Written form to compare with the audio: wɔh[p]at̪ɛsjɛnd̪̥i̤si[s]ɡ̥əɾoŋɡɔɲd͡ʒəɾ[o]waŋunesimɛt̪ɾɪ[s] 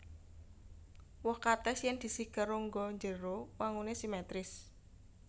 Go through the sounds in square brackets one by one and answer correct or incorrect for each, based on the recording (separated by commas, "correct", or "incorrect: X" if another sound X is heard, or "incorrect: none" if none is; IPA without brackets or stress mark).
incorrect: k, incorrect: h, correct, correct